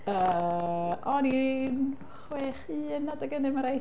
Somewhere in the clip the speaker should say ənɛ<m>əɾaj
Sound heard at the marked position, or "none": m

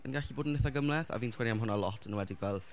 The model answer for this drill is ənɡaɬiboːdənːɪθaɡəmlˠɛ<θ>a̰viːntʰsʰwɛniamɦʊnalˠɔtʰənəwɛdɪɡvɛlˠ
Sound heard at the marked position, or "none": θ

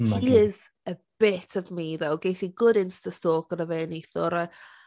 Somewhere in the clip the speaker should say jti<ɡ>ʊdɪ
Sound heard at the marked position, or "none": ɡ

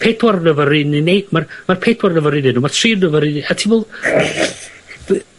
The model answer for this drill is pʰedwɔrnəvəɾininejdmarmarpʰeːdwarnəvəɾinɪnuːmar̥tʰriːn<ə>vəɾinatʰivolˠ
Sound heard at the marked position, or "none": ə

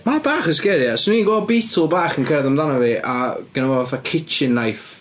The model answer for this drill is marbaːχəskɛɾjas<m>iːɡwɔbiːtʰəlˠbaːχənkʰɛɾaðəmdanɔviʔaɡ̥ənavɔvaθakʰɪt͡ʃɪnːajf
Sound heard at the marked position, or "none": n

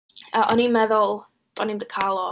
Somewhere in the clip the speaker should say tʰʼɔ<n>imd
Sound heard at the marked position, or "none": n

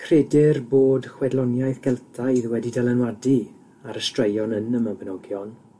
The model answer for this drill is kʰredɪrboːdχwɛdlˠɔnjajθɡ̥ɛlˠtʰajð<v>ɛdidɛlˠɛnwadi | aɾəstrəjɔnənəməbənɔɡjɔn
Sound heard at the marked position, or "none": w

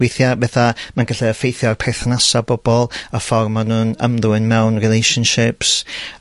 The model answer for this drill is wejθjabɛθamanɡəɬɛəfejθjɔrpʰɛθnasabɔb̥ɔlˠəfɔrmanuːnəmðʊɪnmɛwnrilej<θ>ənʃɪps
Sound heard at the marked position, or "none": ʃ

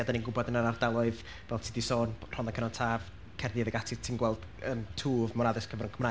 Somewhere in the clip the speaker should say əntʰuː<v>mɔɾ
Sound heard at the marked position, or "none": v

